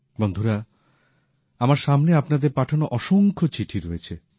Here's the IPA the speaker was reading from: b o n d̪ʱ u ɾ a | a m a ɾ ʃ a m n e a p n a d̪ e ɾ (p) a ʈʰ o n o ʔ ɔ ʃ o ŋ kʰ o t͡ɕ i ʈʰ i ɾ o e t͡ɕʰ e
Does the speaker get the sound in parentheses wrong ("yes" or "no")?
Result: no